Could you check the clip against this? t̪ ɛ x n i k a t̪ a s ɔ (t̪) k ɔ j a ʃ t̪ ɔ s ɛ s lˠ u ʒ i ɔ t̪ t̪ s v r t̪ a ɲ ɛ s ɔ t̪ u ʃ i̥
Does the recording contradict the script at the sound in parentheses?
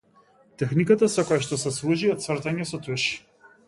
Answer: yes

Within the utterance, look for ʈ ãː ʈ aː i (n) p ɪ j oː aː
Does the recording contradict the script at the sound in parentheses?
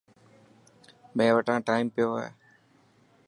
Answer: yes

